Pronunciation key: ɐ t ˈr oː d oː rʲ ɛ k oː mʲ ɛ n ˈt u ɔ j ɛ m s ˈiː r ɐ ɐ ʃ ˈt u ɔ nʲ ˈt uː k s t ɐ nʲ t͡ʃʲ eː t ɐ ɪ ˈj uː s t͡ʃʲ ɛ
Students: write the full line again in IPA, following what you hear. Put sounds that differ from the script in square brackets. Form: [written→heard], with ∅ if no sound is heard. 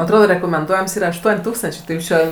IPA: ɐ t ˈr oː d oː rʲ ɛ k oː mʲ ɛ n [ˈt→ˈd] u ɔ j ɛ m s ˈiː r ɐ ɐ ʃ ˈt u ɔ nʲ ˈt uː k s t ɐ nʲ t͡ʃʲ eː t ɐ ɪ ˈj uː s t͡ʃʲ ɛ